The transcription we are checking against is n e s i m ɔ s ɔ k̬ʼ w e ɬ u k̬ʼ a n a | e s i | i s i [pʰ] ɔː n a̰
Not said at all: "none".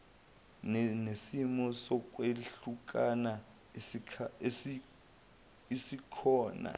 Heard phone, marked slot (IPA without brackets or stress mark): kʰ